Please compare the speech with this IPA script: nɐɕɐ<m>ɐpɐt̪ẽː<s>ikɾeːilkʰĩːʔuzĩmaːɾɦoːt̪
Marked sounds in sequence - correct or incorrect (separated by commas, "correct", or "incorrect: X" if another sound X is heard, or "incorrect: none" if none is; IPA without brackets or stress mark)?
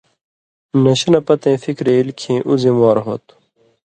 incorrect: n, incorrect: f